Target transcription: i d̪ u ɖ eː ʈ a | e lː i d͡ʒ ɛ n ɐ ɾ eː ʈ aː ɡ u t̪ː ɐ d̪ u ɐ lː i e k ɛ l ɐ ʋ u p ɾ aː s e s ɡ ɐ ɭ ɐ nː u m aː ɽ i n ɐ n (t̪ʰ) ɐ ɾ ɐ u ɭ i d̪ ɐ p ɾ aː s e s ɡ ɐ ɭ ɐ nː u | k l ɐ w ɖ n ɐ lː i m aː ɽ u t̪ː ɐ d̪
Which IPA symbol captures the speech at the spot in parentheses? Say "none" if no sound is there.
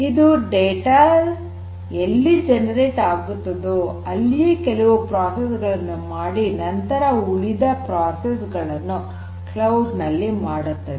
t̪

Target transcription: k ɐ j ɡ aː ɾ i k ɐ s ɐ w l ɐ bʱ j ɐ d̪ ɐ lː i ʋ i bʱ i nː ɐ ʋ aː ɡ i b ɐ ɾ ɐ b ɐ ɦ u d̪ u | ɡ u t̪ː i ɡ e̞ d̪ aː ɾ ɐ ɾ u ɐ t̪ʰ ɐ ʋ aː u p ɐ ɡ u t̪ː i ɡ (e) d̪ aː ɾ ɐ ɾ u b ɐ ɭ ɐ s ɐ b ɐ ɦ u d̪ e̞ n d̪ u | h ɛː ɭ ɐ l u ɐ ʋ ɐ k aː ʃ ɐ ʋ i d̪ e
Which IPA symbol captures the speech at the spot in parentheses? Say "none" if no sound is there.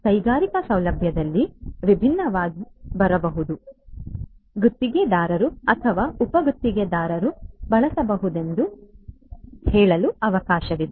e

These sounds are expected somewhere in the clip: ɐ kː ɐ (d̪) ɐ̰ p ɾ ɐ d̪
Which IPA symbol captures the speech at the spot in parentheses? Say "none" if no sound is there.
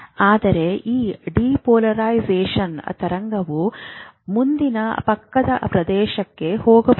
d̪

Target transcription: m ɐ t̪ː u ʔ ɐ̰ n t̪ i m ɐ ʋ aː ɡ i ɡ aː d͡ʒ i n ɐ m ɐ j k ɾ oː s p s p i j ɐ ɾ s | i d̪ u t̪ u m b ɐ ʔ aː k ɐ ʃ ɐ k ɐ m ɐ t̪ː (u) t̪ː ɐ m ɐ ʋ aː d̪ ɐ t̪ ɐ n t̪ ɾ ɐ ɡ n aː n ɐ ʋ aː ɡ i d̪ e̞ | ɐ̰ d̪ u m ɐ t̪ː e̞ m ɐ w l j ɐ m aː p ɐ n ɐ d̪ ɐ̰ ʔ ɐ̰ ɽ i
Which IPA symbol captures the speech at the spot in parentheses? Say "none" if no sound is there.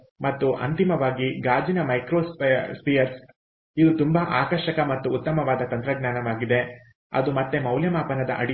uː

